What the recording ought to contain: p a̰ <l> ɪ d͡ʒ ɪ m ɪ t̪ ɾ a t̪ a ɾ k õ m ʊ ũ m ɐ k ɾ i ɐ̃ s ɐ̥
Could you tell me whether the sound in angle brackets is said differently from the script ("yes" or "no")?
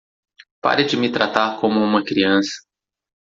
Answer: yes